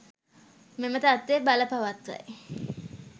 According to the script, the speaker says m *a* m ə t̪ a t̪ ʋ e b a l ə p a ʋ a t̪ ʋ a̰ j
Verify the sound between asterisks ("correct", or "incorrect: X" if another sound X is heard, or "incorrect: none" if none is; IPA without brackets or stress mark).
incorrect: e